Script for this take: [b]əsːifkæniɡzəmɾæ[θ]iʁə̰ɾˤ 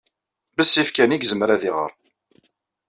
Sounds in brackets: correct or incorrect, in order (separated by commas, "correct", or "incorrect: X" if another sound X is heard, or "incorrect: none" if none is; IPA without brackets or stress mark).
correct, incorrect: ð